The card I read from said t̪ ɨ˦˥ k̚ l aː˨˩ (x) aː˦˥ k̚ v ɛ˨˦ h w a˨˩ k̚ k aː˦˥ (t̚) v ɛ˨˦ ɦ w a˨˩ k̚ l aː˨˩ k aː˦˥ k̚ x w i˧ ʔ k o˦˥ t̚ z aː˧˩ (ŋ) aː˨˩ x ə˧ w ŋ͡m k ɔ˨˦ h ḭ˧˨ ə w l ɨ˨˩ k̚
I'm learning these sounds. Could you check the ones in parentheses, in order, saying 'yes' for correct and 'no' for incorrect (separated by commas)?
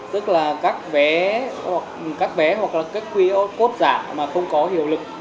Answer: no, no, no